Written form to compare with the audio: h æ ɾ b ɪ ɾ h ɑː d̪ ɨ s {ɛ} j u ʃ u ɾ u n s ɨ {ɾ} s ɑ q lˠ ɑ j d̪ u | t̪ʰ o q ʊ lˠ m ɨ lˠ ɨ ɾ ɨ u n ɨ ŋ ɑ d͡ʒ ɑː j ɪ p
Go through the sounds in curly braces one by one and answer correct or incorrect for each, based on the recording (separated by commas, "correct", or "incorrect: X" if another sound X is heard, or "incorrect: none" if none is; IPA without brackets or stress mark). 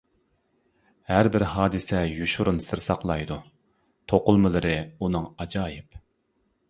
correct, correct